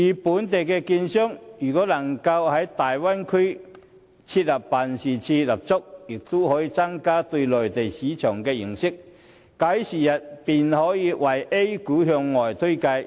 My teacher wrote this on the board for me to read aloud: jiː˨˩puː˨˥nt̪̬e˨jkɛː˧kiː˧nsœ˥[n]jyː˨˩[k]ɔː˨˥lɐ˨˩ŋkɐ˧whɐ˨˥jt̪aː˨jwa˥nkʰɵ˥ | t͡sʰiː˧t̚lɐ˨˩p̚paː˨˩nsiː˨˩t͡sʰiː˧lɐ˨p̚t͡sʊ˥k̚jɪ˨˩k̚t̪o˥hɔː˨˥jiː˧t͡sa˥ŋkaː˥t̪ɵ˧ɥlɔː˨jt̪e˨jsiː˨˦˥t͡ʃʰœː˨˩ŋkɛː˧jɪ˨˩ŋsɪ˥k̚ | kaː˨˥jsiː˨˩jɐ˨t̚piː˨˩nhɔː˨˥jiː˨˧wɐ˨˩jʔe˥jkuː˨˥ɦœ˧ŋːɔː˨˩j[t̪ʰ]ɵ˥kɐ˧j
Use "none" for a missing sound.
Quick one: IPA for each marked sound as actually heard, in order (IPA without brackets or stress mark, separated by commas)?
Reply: ŋ, k, t̪ʰ